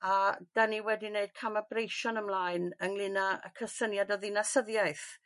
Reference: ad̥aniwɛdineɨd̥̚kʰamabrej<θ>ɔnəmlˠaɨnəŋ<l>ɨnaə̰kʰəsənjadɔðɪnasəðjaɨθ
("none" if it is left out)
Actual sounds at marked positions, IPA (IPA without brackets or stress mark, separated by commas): ʃ, l